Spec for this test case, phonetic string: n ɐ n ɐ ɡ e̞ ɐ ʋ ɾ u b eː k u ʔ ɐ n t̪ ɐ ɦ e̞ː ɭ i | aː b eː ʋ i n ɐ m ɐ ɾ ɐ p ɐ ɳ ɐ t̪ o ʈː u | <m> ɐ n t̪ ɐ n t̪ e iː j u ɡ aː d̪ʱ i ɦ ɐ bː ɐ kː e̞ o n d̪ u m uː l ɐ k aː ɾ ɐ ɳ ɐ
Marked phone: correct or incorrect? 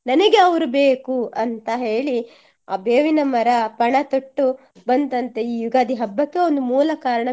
incorrect